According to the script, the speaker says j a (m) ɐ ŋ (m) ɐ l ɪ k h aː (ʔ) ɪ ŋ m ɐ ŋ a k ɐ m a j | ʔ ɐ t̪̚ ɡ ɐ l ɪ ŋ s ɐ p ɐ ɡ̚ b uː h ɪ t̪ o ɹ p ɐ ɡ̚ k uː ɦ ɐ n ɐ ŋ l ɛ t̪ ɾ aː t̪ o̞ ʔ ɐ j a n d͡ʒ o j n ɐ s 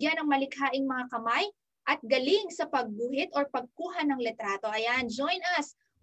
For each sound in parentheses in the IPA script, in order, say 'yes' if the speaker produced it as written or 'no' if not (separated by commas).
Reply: no, yes, yes